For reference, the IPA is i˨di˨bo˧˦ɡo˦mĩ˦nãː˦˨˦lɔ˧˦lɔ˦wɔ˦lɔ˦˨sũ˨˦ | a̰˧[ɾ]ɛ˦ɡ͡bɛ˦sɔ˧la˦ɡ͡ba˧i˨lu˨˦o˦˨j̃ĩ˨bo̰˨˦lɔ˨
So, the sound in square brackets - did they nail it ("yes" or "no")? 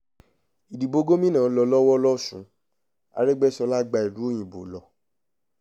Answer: yes